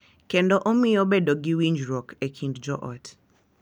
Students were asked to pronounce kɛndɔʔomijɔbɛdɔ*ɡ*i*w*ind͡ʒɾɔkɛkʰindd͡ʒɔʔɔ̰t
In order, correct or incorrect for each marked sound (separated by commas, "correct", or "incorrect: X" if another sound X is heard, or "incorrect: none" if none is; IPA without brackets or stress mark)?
correct, correct